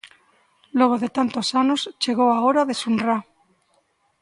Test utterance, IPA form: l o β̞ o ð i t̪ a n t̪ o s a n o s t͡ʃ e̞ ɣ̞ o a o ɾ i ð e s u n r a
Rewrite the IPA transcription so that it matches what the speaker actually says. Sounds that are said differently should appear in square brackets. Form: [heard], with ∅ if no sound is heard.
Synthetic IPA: l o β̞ o ð [e] t̪ a n t̪ o s a n o s t͡ʃ e̞ ɣ̞ o a o ɾ [a] ð e s u n r a